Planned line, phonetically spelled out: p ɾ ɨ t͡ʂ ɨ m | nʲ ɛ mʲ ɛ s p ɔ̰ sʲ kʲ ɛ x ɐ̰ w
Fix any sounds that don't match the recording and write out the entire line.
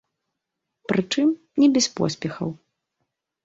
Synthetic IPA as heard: p ɾ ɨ t͡ʂ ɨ m | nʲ ɛ bʲ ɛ s p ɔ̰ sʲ pʲ ɛ x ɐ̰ w